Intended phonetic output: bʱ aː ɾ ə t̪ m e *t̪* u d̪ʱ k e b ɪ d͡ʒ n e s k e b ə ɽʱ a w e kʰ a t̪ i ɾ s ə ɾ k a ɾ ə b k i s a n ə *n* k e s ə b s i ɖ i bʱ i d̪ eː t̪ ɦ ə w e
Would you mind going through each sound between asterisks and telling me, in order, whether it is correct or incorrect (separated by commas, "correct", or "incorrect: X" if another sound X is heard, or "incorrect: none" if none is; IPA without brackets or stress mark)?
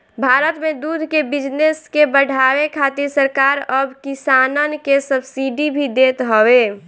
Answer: incorrect: d̪, correct